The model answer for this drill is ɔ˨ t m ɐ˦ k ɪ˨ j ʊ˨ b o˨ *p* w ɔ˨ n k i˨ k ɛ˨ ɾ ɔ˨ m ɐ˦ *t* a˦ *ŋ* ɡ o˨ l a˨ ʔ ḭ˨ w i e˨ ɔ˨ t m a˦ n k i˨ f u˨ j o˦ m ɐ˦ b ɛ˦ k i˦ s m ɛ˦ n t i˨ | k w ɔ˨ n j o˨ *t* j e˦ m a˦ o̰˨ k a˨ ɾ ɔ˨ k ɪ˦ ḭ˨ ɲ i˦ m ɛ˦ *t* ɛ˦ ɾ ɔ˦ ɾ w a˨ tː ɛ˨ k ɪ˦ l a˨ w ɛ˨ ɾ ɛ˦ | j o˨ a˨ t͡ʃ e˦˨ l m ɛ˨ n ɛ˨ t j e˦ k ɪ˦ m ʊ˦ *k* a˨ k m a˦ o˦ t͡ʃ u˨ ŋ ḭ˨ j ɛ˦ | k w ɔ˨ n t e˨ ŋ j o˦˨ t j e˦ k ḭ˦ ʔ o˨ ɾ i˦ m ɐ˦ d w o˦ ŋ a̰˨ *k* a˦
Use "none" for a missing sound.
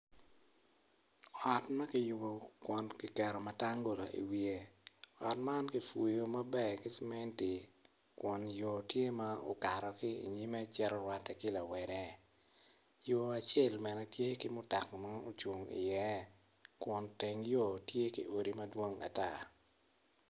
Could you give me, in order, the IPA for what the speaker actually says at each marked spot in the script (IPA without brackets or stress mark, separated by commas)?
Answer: k, t, ŋ, t, t͡ʃ, t, t